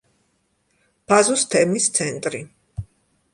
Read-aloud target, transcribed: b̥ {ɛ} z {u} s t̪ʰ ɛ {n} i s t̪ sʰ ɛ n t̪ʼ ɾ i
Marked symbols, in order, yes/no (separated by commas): no, yes, no